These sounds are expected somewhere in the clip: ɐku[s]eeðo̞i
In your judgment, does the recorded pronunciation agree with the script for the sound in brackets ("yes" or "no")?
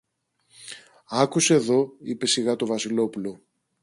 yes